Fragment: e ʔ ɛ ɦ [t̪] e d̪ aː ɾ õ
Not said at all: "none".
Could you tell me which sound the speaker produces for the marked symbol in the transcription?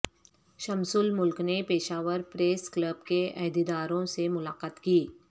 d̪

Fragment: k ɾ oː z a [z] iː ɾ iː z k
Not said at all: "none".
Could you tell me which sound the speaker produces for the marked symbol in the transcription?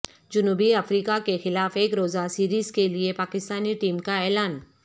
s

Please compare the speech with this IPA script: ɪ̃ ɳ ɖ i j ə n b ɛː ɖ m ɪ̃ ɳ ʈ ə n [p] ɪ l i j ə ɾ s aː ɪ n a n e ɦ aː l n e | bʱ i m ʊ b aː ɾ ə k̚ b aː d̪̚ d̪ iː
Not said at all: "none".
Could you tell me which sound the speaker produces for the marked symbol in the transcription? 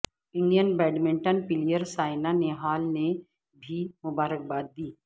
p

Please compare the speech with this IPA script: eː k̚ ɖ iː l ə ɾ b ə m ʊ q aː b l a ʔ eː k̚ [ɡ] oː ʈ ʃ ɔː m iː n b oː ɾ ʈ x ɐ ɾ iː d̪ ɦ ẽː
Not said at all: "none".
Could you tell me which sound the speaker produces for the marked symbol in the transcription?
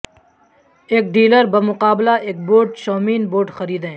b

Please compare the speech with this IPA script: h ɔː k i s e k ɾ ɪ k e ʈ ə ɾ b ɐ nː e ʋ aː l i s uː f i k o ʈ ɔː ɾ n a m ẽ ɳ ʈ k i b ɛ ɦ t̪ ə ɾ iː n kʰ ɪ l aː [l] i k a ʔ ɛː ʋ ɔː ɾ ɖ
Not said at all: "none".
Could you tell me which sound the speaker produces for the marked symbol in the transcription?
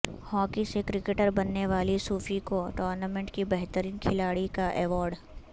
ɽ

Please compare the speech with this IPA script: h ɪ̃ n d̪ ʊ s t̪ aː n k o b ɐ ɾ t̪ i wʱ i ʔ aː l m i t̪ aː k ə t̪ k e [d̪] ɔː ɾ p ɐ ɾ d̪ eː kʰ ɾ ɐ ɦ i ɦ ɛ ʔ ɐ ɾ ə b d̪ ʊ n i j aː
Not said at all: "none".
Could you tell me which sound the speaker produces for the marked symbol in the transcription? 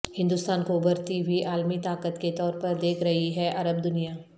t̪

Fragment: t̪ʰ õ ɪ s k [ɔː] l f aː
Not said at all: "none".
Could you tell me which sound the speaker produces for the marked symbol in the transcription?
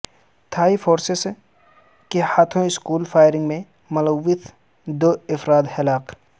uː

